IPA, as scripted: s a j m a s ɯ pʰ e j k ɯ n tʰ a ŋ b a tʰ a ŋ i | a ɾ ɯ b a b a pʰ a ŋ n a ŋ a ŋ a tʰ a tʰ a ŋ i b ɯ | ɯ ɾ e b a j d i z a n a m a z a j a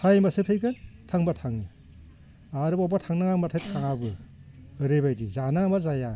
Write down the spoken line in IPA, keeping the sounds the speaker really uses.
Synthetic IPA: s a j m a s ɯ pʰ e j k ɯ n tʰ a ŋ b a tʰ a ŋ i | a ɾ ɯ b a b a tʰ a ŋ n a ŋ a m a tʰ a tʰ a ŋ a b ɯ | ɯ ɾ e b a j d i z a n a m a z a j a

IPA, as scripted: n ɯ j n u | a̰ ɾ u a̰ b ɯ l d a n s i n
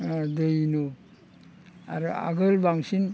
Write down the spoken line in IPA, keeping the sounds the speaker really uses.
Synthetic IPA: d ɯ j n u | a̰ ɾ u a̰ ɡ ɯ l b a ŋ s i n

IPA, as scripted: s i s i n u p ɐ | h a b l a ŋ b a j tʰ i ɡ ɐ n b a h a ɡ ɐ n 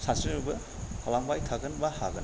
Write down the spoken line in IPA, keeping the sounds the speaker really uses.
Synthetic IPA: s a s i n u b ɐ | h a l a ŋ b a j tʰ a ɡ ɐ n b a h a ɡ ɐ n

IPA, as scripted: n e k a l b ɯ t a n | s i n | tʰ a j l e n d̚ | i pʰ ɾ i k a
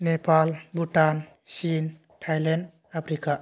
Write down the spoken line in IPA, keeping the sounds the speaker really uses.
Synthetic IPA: n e p a l b u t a n | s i n | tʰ a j l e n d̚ | a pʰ ɾ i k a

